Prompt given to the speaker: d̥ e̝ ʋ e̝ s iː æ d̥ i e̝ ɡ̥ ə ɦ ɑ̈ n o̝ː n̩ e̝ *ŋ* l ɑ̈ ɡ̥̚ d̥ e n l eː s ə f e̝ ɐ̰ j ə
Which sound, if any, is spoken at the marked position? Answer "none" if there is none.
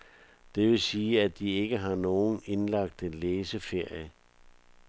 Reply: n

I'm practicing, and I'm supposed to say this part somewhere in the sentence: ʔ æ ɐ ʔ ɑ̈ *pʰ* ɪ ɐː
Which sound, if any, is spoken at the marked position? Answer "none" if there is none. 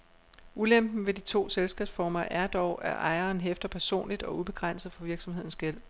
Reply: none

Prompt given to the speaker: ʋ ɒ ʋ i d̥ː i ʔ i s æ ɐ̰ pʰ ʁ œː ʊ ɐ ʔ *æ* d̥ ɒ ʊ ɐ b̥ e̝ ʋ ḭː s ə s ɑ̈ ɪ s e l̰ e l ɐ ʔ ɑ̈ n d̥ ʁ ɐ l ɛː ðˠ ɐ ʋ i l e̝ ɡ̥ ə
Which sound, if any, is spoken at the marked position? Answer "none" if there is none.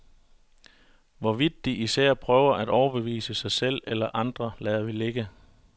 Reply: æ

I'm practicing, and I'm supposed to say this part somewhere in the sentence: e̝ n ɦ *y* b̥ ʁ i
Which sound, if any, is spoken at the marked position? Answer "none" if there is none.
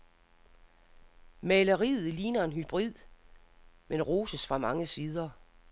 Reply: y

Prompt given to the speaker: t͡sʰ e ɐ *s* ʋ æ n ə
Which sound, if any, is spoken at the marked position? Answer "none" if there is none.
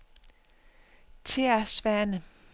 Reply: s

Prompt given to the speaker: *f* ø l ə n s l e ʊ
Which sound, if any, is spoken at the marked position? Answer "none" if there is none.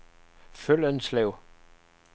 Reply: f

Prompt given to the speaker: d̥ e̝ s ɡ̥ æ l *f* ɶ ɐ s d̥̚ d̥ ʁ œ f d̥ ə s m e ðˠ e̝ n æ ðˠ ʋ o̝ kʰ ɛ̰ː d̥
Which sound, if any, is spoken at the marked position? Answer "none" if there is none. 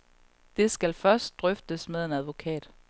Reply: f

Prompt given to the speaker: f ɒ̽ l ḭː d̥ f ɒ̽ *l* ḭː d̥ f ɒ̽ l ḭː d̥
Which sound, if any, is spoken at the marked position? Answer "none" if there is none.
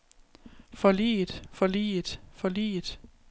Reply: l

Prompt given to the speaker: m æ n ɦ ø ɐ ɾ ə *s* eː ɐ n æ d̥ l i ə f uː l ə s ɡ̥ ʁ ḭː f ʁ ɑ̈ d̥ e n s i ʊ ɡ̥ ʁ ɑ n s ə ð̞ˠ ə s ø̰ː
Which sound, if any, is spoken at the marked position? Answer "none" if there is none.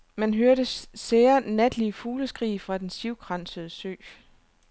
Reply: s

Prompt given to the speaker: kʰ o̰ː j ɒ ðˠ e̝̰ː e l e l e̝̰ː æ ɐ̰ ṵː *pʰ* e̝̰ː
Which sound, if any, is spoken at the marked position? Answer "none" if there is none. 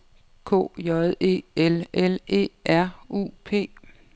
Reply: pʰ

